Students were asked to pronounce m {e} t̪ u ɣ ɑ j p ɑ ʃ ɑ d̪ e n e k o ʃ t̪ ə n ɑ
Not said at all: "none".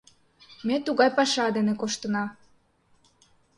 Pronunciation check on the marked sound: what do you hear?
e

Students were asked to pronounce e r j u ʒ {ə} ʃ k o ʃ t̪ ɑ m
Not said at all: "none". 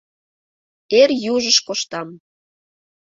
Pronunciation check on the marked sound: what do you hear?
ə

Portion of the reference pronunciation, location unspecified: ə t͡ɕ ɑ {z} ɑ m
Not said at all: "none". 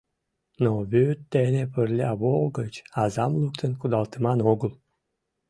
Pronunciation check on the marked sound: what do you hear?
z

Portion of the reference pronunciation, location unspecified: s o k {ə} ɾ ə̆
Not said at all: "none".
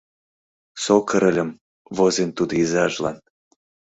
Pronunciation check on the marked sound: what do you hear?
ə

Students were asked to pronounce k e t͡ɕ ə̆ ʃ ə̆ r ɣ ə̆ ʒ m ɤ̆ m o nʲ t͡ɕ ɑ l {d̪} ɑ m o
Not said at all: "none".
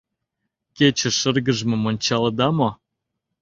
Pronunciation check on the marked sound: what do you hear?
d̪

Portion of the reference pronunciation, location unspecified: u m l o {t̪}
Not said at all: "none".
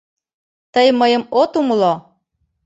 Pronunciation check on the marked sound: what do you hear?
none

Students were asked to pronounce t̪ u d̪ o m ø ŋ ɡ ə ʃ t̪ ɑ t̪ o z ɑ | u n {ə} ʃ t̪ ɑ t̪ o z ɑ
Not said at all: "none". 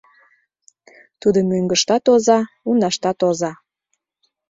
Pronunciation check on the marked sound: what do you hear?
ɑ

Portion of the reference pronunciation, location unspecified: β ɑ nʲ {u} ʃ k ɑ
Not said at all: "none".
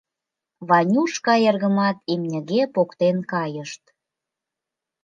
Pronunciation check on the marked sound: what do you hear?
u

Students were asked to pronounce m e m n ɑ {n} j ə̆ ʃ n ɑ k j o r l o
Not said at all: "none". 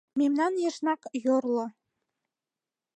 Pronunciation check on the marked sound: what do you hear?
n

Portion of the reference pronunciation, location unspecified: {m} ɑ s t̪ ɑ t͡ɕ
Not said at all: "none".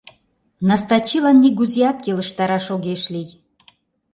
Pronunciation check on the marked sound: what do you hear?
n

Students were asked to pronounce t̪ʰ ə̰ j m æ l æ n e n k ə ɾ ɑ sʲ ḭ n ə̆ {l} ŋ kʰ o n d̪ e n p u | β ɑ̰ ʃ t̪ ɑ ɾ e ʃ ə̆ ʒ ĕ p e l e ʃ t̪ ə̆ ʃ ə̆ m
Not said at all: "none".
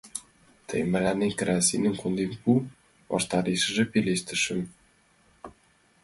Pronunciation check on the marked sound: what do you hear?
none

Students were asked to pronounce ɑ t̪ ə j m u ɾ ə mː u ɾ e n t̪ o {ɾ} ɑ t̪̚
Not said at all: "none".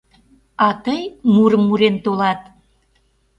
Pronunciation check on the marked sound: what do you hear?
l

